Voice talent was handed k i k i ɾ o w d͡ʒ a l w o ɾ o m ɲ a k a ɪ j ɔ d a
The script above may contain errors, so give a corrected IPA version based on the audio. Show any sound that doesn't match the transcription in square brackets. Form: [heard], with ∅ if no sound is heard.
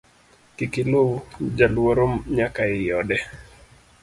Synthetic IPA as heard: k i k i [l] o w d͡ʒ a l w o ɾ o m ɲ a k a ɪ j ɔ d [ɛ]